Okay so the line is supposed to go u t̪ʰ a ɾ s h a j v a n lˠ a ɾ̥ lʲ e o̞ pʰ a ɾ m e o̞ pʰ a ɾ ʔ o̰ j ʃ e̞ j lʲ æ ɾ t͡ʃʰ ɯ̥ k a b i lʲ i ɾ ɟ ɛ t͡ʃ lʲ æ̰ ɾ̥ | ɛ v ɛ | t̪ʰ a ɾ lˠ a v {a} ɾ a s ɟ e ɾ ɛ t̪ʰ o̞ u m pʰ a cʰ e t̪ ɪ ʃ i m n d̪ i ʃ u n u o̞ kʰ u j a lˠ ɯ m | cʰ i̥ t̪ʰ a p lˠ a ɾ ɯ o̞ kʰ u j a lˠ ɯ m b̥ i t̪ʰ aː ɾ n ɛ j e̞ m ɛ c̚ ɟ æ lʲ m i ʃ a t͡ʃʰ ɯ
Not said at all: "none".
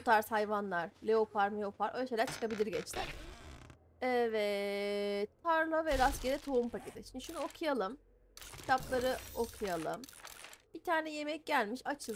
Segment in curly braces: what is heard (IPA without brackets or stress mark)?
ɛ